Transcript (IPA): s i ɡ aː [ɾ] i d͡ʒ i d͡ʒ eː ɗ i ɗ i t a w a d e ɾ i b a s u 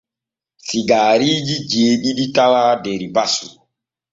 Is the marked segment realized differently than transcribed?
no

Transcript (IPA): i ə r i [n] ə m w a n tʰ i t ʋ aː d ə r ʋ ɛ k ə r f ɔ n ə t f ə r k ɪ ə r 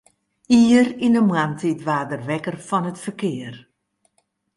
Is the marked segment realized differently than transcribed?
no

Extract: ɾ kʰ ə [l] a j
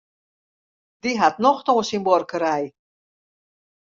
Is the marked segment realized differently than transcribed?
yes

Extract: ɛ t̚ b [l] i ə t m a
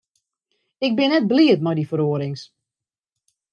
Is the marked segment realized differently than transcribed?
no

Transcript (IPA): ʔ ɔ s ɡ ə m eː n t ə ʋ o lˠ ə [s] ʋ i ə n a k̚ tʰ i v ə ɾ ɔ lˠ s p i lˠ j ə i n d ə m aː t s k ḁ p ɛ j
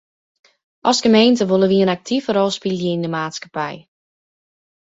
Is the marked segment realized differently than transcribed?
yes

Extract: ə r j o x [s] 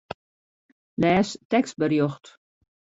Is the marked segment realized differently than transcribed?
yes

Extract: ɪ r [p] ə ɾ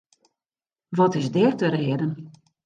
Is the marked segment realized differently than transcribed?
yes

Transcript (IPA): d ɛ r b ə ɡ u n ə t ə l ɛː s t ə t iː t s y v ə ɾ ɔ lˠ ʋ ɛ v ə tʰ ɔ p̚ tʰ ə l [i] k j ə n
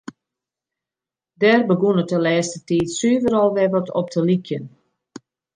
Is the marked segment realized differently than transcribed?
no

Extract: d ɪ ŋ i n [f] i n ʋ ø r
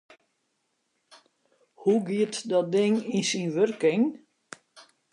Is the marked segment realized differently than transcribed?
yes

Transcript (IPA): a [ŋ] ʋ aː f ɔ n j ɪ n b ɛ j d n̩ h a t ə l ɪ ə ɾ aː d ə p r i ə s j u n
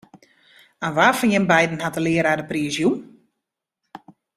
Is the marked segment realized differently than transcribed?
yes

